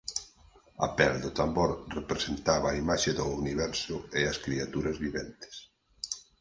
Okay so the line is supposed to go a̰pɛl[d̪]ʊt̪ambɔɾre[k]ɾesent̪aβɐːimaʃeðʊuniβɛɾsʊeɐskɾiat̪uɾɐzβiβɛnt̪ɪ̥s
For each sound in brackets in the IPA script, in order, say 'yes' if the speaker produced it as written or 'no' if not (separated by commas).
yes, no